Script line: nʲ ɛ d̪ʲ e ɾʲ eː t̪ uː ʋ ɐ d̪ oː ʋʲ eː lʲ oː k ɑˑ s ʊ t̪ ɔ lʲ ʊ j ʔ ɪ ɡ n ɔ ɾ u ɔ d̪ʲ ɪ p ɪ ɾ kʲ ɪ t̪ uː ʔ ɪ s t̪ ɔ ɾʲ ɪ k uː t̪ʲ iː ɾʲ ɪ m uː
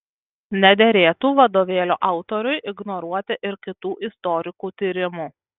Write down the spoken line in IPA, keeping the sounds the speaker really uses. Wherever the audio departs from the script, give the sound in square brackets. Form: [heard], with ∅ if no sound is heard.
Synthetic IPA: nʲ ɛ d̪ʲ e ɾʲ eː t̪ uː ʋ ɐ d̪ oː ʋʲ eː lʲ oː [ʔ] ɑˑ [∅] ʊ t̪ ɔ [ɾʲ] ʊ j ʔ ɪ ɡ n ɔ ɾ u ɔ [t̪ʲ] ɪ [ʔ] ɪ ɾ kʲ ɪ t̪ uː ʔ ɪ s t̪ ɔ ɾʲ ɪ k uː t̪ʲ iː ɾʲ ɪ m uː